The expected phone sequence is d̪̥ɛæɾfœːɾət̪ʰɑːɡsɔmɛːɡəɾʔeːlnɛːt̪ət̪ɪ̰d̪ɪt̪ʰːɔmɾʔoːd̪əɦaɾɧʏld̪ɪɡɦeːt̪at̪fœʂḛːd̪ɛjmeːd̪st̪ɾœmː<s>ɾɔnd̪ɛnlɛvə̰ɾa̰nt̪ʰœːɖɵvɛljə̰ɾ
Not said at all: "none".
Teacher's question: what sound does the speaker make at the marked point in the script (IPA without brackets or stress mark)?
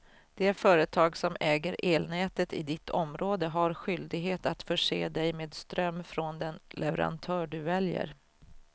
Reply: f